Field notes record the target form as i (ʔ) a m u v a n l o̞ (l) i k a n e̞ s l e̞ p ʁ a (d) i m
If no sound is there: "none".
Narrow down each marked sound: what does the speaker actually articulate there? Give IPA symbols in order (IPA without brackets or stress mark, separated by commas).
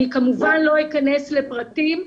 k, none, t